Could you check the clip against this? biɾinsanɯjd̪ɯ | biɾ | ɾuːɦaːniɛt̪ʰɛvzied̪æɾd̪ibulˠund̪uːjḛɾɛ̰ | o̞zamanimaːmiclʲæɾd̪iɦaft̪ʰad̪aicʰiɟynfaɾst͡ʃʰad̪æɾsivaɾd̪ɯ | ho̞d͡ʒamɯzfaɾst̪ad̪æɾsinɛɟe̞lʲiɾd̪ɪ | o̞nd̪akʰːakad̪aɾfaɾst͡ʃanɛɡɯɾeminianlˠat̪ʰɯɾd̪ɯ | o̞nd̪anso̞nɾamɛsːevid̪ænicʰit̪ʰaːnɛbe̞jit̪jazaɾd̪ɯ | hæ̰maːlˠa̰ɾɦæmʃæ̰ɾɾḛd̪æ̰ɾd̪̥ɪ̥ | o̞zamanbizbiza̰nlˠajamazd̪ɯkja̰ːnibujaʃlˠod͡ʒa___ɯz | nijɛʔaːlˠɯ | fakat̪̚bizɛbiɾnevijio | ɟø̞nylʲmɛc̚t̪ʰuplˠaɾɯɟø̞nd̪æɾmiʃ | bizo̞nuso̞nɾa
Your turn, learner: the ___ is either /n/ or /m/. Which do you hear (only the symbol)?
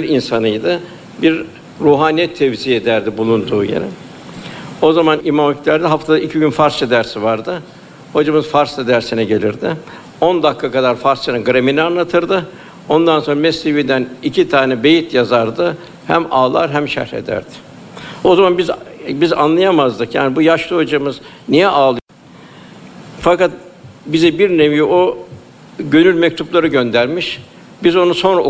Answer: m